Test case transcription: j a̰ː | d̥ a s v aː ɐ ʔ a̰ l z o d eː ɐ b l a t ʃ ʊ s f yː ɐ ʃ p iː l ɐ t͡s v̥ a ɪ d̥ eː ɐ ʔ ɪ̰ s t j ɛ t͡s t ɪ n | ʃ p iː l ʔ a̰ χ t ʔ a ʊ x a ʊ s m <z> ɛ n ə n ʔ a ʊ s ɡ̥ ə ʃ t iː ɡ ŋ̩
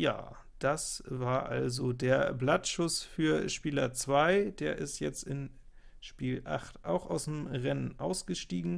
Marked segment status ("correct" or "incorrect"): incorrect